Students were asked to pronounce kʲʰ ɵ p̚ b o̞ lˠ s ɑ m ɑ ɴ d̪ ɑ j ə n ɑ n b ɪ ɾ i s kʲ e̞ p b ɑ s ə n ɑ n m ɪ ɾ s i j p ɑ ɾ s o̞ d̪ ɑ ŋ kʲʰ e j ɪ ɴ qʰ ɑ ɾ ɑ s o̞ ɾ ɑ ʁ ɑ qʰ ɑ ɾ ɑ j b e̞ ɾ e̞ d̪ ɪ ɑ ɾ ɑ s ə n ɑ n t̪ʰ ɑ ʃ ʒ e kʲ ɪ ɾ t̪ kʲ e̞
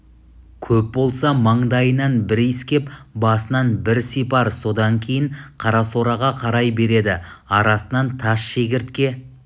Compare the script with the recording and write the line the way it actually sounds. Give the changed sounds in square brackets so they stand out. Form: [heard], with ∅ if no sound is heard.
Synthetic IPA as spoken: kʲʰ ɵ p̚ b o̞ lˠ s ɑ m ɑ ɴ d̪ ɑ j ə n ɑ n b ɪ ɾ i s kʲ e̞ p b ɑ s ə n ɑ n [b] ɪ ɾ s i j p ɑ ɾ s o̞ d̪ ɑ ŋ kʲʰ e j ɪ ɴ qʰ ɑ ɾ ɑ s o̞ ɾ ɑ ʁ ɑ qʰ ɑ ɾ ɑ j b e̞ ɾ e̞ d̪ ɪ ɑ ɾ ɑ s ə n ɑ n t̪ʰ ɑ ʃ [ʃ] e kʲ ɪ ɾ t̪ kʲ e̞